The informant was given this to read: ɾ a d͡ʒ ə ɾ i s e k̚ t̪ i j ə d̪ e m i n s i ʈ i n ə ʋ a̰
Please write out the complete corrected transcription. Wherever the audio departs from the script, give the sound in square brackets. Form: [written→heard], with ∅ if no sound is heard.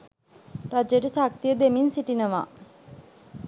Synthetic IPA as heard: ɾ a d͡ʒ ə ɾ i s [e→a] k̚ t̪ i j ə d̪ e m i n s i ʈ i n ə ʋ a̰